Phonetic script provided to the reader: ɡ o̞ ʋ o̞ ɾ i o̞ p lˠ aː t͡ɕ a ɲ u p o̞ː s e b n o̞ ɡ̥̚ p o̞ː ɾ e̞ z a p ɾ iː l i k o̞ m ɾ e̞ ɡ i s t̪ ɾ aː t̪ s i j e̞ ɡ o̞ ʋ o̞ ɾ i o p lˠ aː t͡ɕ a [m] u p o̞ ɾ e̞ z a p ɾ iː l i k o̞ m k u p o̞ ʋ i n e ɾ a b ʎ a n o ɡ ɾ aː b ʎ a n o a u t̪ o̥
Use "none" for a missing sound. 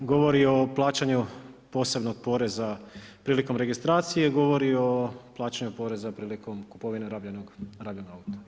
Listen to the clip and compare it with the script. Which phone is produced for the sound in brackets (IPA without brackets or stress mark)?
ɲ